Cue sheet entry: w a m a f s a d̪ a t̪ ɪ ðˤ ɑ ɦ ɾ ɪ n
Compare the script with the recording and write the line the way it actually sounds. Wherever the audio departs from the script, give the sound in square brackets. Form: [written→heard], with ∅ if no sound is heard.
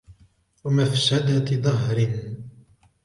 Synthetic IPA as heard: w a m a f s a d̪ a t̪ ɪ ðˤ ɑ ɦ ɾ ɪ n